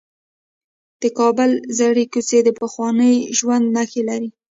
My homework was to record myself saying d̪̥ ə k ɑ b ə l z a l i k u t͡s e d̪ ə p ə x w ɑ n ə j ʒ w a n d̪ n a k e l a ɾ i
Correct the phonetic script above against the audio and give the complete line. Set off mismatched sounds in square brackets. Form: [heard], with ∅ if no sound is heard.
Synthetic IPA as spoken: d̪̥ ə k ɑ b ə l z a [ɽ] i k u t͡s e d̪ ə p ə x w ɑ n ə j ʒ w a n d̪ n a [x] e l a ɾ i